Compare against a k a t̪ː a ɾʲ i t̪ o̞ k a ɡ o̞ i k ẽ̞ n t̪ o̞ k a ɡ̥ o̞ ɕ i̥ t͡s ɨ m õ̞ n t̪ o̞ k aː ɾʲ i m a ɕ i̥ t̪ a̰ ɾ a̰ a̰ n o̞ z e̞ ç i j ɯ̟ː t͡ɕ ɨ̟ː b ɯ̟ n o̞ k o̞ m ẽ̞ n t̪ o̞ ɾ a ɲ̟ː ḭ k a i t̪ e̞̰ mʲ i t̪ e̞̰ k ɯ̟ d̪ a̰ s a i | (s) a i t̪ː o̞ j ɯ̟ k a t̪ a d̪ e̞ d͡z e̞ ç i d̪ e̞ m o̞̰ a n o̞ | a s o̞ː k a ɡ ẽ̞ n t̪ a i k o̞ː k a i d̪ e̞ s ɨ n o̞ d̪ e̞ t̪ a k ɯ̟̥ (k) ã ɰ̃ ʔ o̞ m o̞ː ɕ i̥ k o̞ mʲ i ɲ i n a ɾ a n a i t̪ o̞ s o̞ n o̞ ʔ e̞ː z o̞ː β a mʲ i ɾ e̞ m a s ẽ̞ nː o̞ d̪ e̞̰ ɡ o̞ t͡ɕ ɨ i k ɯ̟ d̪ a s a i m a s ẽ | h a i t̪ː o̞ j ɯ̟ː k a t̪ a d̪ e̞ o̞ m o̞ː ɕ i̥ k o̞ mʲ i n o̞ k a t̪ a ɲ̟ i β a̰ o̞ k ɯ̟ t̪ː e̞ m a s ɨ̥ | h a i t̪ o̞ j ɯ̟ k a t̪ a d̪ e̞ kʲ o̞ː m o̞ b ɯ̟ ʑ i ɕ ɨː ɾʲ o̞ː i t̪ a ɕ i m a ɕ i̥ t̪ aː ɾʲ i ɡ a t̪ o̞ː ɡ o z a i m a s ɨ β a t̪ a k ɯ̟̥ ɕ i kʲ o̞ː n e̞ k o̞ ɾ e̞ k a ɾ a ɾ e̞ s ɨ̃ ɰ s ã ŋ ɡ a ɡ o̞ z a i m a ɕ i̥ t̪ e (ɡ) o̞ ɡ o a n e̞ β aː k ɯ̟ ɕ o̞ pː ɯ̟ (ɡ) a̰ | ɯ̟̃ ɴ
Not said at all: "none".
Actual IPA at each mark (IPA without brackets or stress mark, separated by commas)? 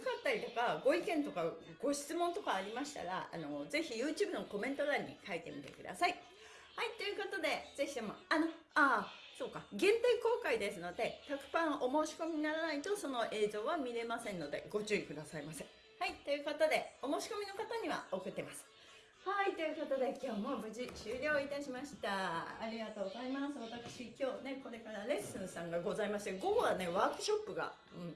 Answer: h, p, ɡ, ɡ